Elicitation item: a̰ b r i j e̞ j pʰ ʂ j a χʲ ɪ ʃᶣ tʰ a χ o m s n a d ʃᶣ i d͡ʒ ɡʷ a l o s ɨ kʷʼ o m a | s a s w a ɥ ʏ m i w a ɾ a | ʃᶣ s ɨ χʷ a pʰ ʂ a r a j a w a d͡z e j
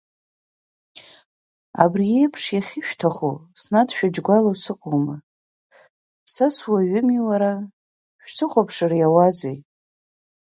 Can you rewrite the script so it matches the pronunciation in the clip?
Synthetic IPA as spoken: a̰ b r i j e̞ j pʰ ʂ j a χʲ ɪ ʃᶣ tʰ a χ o s n a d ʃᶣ a d͡ʒ ɡʷ a l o s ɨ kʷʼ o m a | s a s w a ɥ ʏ m i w a ɾ a | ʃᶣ s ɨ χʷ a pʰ ʂ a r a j a w a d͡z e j